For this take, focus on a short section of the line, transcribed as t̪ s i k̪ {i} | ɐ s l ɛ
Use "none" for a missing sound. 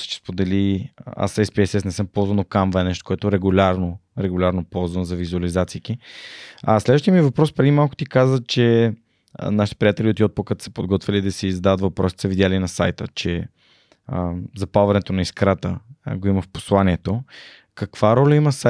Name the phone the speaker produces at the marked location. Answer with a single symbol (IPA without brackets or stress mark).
i